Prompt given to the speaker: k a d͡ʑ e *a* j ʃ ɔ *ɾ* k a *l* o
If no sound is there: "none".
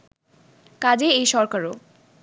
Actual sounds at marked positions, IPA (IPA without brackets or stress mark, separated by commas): e, ɾ, ɾ